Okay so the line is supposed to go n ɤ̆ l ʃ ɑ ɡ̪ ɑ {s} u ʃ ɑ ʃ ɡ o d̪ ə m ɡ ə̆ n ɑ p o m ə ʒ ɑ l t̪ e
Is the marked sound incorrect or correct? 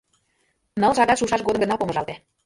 incorrect